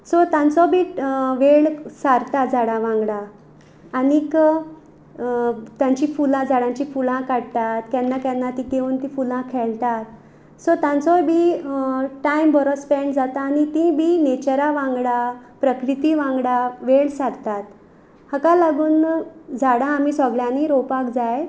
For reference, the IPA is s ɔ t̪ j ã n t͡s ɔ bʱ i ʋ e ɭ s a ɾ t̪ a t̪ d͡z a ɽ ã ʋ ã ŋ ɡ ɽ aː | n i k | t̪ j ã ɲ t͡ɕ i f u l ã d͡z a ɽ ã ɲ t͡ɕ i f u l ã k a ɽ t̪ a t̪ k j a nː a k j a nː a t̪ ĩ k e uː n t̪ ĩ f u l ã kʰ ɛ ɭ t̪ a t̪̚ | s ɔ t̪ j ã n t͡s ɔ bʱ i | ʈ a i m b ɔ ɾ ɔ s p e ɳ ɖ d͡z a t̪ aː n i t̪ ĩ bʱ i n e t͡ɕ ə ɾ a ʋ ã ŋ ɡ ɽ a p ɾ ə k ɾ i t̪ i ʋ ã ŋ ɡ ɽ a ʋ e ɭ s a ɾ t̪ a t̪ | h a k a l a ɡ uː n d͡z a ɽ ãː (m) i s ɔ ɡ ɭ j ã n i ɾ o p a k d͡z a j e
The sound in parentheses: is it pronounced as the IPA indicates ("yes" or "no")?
yes